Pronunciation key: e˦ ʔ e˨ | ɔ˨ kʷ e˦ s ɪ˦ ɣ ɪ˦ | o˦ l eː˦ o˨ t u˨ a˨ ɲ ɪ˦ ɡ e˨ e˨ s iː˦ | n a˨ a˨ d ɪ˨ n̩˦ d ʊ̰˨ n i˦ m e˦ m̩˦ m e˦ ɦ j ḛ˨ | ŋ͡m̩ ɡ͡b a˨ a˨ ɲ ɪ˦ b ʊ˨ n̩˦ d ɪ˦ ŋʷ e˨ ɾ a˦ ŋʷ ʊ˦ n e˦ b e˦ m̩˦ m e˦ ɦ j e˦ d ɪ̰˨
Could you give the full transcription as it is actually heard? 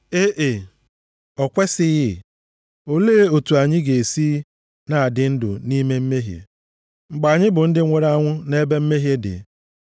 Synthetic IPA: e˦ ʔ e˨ | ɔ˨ kʷ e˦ s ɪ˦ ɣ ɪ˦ | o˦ l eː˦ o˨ t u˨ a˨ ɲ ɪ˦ ɡ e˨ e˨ s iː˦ | n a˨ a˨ d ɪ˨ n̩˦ d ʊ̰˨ n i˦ m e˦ m̩˦ m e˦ ɦ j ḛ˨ | ŋ͡m̩ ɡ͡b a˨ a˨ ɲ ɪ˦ b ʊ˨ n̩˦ d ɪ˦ ŋʷ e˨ ɾ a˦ ŋʷ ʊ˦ n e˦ b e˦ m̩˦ m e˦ ɦ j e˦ d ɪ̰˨